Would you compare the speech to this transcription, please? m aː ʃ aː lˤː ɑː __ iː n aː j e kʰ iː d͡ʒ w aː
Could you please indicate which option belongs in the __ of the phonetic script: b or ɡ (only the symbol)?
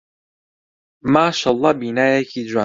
b